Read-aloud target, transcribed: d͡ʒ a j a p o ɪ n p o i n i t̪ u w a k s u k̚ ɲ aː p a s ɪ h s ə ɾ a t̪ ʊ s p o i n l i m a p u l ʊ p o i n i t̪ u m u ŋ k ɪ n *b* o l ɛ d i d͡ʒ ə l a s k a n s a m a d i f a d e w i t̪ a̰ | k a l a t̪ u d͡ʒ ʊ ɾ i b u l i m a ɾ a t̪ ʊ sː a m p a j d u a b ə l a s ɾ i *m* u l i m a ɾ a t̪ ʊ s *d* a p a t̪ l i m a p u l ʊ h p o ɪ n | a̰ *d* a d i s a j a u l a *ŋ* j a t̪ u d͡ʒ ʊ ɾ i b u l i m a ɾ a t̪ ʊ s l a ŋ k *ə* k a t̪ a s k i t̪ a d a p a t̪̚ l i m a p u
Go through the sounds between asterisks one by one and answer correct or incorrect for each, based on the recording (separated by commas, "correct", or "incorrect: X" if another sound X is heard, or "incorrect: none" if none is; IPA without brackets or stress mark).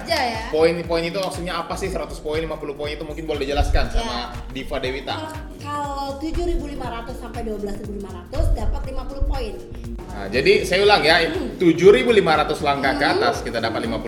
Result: correct, incorrect: b, correct, incorrect: d͡ʒ, correct, incorrect: a